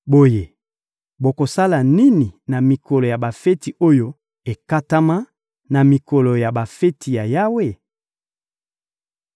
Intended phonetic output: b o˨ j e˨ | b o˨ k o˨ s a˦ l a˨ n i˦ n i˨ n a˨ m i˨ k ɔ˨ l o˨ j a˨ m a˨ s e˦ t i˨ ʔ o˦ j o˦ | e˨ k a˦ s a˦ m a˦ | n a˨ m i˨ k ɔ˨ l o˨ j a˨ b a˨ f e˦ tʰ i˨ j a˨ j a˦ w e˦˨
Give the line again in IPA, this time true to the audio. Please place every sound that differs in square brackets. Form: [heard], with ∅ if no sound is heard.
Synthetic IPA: b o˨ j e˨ | b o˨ k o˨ s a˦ l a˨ n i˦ n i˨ n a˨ m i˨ k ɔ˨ l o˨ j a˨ [b] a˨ [f] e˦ t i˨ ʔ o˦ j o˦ | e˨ k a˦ [t] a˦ m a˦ | n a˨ m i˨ k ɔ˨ l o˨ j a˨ b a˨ f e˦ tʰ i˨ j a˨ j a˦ w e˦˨